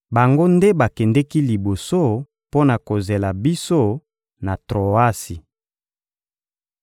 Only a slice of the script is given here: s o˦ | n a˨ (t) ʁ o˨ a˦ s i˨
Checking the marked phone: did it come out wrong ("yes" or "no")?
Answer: no